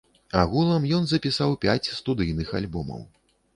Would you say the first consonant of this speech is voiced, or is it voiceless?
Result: voiced